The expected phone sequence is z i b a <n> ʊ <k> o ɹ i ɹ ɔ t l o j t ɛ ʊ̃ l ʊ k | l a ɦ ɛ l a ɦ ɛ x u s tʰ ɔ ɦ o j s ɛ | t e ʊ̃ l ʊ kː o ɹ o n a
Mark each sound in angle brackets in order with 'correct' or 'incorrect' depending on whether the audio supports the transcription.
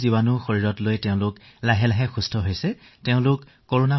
correct, incorrect: x

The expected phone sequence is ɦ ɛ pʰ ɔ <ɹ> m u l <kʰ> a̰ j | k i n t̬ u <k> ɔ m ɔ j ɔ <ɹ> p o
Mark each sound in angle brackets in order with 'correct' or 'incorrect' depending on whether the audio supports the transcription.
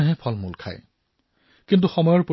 incorrect: l, correct, incorrect: x, correct

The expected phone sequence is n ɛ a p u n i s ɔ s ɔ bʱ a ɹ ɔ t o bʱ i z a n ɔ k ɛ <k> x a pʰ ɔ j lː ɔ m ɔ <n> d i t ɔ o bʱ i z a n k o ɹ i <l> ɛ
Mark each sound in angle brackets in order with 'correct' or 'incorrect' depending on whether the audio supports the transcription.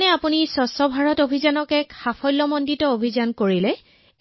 correct, correct, correct

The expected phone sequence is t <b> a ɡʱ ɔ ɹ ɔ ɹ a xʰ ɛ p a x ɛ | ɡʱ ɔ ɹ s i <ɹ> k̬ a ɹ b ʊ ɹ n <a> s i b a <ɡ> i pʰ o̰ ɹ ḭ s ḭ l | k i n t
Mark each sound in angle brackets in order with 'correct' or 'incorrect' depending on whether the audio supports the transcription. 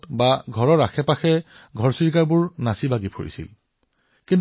correct, correct, correct, correct

